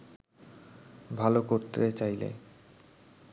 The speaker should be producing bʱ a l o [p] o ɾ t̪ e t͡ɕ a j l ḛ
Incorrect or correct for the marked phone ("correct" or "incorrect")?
incorrect